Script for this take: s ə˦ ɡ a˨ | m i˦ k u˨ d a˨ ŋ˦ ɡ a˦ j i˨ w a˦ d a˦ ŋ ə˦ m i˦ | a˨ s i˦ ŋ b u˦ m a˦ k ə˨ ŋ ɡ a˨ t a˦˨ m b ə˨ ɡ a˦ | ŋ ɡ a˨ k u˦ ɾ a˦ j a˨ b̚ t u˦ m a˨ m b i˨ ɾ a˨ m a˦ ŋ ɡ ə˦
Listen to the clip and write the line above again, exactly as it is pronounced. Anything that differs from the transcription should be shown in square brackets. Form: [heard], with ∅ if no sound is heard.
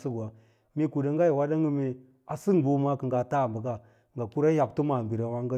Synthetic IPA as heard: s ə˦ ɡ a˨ | m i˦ k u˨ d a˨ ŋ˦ ɡ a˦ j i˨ w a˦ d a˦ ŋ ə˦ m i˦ | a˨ s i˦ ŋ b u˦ m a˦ k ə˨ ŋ ɡ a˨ t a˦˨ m b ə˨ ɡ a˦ | ŋ ɡ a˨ k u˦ ɾ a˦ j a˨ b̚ t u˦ m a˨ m b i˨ ɾ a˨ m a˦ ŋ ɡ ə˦